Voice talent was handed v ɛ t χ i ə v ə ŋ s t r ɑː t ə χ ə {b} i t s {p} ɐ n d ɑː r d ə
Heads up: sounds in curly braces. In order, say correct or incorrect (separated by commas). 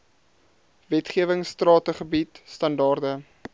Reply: correct, incorrect